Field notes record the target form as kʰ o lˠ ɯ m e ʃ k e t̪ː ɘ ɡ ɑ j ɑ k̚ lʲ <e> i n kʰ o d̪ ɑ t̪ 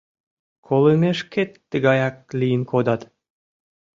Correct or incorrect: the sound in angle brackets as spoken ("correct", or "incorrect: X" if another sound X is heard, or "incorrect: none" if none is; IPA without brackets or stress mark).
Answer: incorrect: i